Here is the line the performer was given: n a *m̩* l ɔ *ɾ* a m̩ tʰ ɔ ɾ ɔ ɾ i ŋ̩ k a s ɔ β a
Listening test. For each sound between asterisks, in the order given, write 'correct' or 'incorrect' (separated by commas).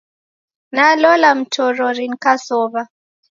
incorrect, incorrect